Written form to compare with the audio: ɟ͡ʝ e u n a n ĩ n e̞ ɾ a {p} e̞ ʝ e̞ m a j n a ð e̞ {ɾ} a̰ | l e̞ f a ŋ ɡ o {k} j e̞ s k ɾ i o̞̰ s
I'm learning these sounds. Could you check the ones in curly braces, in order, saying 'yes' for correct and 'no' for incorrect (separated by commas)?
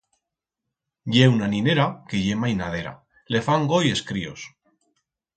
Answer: no, yes, no